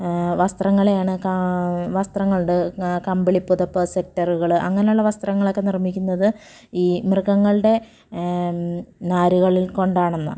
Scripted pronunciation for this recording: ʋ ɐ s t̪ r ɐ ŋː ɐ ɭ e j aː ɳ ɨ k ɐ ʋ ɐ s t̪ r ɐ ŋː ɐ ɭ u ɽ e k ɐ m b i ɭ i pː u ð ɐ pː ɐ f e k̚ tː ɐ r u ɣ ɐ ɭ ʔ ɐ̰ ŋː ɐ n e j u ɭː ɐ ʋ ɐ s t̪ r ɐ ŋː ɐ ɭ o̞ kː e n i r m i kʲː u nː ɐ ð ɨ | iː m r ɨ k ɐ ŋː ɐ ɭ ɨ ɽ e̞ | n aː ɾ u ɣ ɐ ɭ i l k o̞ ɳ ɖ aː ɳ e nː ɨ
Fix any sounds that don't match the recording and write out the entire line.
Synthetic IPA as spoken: ʋ ɐ s t̪ r ɐ ŋː ɐ ɭ e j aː ɳ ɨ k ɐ ʋ ɐ s t̪ r ɐ ŋː ɐ ɭ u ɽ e k ɐ m b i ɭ i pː u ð ɐ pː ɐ s e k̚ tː ɐ r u ɣ ɐ ɭ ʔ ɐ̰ ŋː ɐ n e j u ɭː ɐ ʋ ɐ s t̪ r ɐ ŋː ɐ ɭ o̞ kː e n i r m i kʲː u nː ɐ ð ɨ | iː m r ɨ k ɐ ŋː ɐ ɭ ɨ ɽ e̞ | n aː ɾ u ɣ ɐ ɭ i l k o̞ ɳ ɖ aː ɳ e nː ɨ

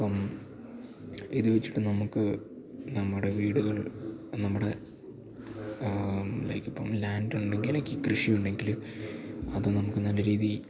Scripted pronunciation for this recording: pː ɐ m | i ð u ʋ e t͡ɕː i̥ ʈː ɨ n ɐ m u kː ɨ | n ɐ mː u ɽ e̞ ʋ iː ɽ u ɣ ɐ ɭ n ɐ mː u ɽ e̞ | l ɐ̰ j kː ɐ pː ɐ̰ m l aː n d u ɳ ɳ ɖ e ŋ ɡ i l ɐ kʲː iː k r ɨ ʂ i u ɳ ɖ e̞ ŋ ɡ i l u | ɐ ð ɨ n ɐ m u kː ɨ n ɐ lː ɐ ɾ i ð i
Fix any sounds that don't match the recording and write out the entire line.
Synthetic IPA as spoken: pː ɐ m | i ð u ʋ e t͡ɕː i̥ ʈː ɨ n ɐ m u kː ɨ | n ɐ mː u ɽ e̞ ʋ iː ɽ u ɣ ɐ ɭ n ɐ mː u ɽ e̞ | l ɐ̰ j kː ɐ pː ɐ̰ m l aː n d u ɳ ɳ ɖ e ŋ ɡ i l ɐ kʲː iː k r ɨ ʂ i u ɳ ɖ e̞ ŋ ɡ i l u | ɐ ð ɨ n ɐ m u kː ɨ n ɐ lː ɐ ɾ iː ð i

